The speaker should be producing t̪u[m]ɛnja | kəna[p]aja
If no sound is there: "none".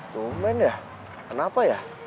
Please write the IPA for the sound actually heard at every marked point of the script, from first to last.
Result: m, p

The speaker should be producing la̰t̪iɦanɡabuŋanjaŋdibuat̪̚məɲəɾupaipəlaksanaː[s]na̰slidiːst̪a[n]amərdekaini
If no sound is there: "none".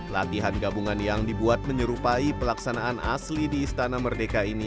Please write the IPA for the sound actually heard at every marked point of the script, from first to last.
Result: none, n

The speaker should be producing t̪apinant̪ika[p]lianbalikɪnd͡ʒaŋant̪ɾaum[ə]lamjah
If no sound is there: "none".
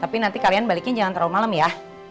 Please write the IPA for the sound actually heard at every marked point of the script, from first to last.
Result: none, a

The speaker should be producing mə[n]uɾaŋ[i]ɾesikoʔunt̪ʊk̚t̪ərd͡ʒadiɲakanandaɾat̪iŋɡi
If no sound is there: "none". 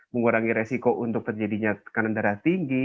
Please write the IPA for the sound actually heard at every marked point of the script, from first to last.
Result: ŋ, i

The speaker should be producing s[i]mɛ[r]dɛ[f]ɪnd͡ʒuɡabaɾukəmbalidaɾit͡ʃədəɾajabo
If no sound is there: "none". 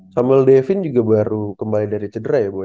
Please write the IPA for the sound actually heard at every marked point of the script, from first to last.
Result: a, l, f

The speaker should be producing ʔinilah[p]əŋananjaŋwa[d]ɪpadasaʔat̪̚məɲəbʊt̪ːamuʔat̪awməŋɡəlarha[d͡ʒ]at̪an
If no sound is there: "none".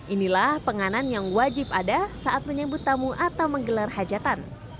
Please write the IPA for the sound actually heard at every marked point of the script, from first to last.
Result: p, d͡ʒ, d͡ʒ

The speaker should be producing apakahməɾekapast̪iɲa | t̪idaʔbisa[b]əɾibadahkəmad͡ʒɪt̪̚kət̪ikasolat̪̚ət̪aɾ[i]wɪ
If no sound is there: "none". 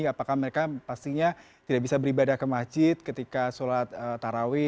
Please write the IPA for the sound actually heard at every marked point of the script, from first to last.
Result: b, a

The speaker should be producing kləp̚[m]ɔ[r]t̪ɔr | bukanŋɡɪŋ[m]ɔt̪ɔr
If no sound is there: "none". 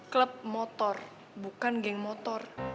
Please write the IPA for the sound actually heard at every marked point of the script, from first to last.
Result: m, none, m

